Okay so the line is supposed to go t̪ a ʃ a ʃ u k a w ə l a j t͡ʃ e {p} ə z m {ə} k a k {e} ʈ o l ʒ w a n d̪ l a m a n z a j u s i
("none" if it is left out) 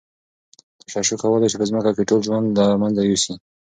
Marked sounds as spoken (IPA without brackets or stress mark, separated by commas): p, ə, e